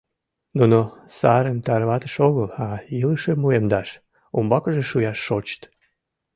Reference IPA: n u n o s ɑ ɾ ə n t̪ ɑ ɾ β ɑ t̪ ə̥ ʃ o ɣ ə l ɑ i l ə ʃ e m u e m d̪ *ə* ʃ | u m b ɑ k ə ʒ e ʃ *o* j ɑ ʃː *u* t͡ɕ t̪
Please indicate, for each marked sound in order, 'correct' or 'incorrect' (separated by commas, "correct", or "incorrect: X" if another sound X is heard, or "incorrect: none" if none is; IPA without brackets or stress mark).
incorrect: ɑ, incorrect: u, incorrect: o